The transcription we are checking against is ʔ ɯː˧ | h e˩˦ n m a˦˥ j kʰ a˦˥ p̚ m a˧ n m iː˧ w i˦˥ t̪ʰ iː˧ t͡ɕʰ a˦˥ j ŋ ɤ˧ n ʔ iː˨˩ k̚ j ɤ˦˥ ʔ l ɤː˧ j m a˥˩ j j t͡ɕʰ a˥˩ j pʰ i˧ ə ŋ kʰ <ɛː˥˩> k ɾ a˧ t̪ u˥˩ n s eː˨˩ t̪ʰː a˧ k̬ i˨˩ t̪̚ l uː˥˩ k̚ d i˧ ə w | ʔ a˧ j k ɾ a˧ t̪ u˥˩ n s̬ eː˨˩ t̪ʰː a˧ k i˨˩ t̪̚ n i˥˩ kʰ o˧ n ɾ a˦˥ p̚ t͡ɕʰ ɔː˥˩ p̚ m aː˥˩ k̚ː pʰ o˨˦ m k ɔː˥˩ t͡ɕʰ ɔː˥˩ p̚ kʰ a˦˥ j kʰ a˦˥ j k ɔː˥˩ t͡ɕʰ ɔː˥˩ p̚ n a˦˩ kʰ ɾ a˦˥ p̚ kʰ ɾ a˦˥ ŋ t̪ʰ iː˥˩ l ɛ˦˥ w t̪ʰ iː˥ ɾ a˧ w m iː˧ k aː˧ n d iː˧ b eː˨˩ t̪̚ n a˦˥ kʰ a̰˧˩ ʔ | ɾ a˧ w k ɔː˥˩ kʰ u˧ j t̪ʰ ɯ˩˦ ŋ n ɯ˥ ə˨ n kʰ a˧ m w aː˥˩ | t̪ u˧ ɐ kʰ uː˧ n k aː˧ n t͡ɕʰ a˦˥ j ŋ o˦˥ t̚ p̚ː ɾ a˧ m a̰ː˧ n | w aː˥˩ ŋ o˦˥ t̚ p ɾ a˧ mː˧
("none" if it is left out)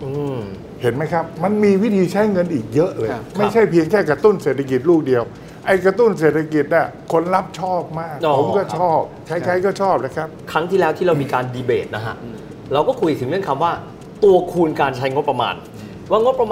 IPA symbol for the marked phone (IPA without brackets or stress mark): ɛː˥˩